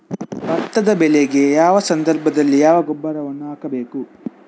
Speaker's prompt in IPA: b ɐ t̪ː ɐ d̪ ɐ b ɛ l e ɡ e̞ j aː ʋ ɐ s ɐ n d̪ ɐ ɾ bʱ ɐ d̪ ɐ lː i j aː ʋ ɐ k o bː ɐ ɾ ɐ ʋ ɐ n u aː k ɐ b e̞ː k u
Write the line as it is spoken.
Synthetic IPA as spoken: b ɐ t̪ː ɐ d̪ ɐ b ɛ l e ɡ e̞ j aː ʋ ɐ s ɐ n d̪ ɐ ɾ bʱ ɐ d̪ ɐ lː i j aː ʋ ɐ ɡ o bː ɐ ɾ ɐ ʋ ɐ nː u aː k ɐ b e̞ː k u